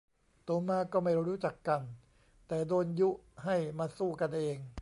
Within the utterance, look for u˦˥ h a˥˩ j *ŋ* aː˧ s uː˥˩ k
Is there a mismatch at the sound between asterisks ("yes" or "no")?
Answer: yes